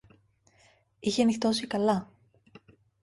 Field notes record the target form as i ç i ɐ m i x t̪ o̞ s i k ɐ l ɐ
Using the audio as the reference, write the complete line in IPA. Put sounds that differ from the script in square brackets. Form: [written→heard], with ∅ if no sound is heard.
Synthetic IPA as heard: i ç [i→e] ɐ [m→n] i x t̪ o̞ s i k ɐ l ɐ